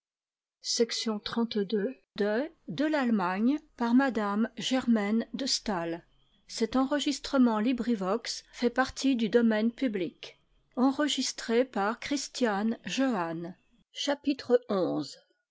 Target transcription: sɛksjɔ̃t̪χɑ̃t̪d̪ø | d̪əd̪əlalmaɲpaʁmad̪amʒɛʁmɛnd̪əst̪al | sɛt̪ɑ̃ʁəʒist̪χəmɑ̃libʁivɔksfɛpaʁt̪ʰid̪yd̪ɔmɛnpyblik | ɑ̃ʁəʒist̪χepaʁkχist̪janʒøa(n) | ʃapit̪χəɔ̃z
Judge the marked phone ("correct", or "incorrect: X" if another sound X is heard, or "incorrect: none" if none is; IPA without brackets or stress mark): correct